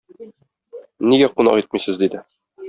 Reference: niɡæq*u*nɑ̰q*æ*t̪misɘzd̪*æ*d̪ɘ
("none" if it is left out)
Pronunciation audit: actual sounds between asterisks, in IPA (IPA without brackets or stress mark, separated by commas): u, i, i